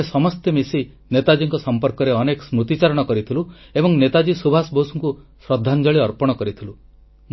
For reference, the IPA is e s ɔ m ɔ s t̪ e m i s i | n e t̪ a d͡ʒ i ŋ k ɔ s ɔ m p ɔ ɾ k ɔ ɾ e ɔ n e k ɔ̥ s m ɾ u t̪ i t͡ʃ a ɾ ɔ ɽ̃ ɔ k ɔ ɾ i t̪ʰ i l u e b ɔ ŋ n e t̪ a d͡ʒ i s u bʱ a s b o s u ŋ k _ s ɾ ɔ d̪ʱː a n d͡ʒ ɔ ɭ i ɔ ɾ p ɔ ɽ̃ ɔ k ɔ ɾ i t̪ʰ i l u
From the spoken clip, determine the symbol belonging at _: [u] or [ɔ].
u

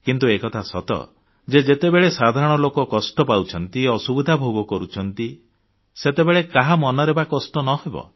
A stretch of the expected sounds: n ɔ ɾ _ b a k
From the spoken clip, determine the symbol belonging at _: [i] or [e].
e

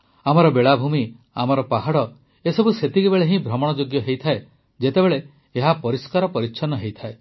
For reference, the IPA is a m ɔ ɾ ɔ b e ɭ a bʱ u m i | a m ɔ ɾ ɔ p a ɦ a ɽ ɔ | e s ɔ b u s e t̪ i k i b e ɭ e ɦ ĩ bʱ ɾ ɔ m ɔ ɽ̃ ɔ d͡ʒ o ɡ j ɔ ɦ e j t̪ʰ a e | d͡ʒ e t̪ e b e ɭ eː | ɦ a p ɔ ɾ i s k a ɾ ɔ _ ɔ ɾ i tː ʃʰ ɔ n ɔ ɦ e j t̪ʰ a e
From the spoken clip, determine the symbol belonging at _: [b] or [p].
p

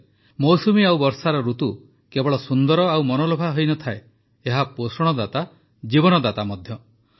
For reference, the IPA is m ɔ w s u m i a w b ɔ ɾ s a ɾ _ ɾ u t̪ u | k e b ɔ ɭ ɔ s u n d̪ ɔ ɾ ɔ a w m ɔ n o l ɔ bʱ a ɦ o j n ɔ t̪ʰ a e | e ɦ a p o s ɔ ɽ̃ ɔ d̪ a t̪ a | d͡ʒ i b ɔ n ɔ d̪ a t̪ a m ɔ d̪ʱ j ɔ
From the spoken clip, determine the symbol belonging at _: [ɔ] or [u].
ɔ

